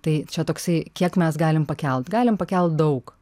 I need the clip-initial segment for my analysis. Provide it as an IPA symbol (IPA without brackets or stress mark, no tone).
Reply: t̪